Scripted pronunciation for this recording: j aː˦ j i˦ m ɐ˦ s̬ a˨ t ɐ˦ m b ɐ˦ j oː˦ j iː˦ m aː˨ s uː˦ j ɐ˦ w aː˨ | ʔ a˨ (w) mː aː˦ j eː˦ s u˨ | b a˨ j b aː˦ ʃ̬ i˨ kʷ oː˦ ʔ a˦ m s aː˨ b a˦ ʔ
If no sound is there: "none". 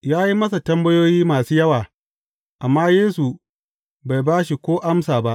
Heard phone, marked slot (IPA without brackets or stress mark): none